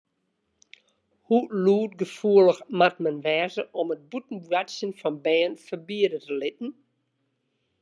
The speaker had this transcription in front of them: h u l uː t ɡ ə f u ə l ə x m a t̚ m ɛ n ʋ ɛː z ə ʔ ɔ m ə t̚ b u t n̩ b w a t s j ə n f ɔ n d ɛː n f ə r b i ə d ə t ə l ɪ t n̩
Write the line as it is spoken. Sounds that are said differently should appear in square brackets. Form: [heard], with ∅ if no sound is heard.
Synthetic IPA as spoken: h u l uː t ɡ ə f u ə l ə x m a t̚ m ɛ n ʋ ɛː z ə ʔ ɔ m ə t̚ b u t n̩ b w a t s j ə n f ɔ n [b] ɛː n f ə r b i ə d ə t ə l ɪ t n̩

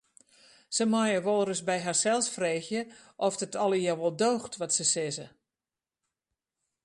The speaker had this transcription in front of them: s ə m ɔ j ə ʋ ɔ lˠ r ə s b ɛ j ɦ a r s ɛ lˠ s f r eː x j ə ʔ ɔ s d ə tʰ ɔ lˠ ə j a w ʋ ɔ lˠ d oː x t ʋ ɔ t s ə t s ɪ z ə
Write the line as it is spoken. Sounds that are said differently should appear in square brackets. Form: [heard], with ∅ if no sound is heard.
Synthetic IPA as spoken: s ə m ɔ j ə ʋ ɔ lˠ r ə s b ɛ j ɦ a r s ɛ lˠ s f r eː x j ə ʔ ɔ [f] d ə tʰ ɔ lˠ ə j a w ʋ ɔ lˠ d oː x t ʋ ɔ t s ə [∅] s ɪ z ə

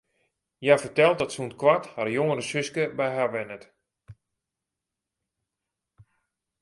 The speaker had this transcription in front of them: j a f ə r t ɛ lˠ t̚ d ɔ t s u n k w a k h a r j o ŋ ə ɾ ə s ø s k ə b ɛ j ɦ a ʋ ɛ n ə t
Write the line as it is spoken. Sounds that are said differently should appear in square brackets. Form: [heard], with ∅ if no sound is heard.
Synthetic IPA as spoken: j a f ə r t ɛ lˠ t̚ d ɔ t s u n k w a [t] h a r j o ŋ ə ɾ ə s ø s k ə b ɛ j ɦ a ʋ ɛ n ə t

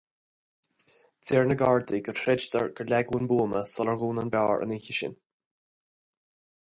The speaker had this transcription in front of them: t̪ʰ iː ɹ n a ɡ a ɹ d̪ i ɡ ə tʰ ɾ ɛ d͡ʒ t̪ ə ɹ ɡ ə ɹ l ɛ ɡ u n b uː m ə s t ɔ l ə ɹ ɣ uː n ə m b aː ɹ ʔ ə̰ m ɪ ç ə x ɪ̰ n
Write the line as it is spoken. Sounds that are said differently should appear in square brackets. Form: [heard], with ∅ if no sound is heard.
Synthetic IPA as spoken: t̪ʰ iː ɹ n [ə] ɡ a ɹ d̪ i ɡ ə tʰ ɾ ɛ d͡ʒ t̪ ə ɹ ɡ ə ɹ l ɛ ɡ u n b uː m ə s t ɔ l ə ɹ ɣ uː n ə [n] b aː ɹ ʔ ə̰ [n] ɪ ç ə [ʃ] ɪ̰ n

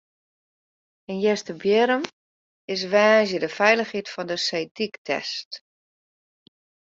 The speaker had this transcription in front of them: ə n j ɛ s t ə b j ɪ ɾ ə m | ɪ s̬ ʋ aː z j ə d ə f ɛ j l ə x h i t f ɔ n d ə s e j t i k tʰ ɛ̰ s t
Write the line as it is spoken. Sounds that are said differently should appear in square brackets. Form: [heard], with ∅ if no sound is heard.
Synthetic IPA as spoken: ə n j ɛ s t ə b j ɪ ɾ ə m | ɪ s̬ ʋ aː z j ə d ə f ɛ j l ə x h i t f ɔ n d ə s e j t i k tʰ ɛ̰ s t

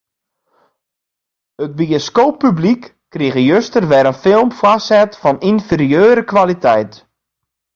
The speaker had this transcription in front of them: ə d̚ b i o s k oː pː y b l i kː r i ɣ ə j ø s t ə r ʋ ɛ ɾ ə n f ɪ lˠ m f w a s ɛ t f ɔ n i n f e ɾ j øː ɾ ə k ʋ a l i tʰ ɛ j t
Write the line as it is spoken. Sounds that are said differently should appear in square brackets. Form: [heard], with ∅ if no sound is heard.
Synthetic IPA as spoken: ə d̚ b i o s k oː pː y b l i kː r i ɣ ə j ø s t ə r ʋ ɛ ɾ ə n f ɪ lˠ m f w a s ɛ t f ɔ n i n f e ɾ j øː ɾ ə k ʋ a l i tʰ ɛ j t

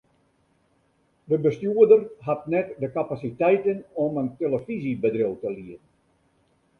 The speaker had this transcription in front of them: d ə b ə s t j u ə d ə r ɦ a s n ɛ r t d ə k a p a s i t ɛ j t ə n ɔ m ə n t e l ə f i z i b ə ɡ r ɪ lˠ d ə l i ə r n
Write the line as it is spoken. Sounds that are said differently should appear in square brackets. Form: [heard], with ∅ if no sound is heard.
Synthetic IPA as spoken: d ə b ə s t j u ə d ə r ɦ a [t] n ɛ [∅] t d ə k a p a s i t ɛ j t ə n ɔ m ə n t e l ə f i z i b ə [d] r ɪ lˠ [t] ə l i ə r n

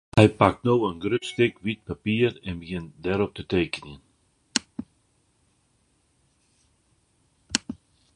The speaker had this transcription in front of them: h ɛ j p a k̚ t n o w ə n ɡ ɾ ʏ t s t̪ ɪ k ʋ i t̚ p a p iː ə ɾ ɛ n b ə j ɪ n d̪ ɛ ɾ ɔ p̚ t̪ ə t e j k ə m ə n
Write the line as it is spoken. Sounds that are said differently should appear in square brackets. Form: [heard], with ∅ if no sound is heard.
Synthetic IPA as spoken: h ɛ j p a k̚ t n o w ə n ɡ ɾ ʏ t s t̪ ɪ k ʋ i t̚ p a p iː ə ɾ ɛ n b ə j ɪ n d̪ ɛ ɾ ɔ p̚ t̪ ə t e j k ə [n] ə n

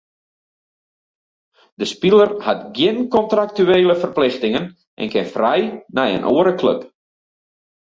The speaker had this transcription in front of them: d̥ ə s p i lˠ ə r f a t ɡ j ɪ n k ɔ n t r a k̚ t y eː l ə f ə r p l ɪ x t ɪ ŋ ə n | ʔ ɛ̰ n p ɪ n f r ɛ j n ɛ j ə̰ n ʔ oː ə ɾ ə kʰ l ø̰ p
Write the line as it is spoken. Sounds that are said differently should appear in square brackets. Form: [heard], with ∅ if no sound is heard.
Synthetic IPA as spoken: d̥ ə s p i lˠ ə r [h] a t ɡ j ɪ n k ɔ n t r a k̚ t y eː l ə f ə r p l ɪ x t ɪ ŋ ə n | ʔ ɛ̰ n [k] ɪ n f r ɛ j n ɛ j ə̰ n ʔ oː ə ɾ ə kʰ l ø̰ p

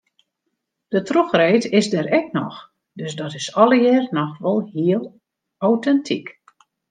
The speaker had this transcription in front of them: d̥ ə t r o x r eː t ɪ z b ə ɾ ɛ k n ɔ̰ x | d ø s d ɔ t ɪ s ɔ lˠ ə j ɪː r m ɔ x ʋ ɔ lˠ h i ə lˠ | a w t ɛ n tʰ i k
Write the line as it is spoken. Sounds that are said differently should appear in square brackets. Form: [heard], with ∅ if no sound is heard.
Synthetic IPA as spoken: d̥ ə t r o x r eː t ɪ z [d] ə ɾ ɛ k n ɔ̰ x | d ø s d ɔ t ɪ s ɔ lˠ ə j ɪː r [n] ɔ x ʋ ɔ lˠ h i ə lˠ | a w t ɛ n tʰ i k

